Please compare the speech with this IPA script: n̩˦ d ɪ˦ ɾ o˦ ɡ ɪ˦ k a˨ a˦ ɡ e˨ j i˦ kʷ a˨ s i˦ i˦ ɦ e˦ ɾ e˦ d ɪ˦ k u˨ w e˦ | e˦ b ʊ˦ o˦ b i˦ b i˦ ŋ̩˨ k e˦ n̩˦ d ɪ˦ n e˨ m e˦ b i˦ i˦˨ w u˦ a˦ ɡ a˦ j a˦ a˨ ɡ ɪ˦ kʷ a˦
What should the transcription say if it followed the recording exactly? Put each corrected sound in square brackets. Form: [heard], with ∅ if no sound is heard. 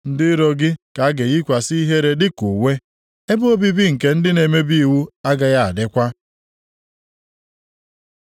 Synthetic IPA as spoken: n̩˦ d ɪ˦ ɾ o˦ ɡ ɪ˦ k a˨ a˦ ɡ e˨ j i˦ kʷ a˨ s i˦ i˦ ɦ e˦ ɾ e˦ d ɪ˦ k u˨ w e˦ | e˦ b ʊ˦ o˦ b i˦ b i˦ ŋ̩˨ k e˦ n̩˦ d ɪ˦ n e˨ m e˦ b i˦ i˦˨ w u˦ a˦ ɡ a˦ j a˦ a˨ [d] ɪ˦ kʷ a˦